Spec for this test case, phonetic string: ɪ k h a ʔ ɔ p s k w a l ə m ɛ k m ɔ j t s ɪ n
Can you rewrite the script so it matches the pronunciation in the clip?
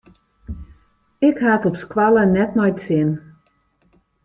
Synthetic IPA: ɪ k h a t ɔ p s k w a l ə n ɛ t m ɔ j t s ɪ n